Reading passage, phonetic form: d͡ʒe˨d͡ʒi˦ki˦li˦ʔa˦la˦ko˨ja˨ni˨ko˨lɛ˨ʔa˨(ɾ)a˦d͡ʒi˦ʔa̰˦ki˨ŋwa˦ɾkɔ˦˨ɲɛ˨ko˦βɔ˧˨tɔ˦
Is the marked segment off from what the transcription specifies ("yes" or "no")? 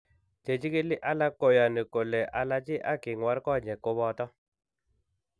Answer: yes